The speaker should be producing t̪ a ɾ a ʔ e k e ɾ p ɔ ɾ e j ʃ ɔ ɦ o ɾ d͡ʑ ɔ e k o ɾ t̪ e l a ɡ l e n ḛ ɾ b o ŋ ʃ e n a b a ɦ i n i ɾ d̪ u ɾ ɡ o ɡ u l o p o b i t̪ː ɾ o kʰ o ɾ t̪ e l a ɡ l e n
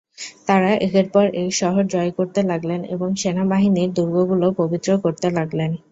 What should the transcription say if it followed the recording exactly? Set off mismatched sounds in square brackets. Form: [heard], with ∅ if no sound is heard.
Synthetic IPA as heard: t̪ a ɾ a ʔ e k e ɾ p ɔ ɾ e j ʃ ɔ ɦ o ɾ d͡ʑ ɔ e k o ɾ t̪ e l a ɡ l e n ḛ [∅] b o ŋ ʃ e n a b a ɦ i n i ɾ d̪ u ɾ ɡ o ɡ u l o p o b i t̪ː ɾ o [k] o ɾ t̪ e l a ɡ l e n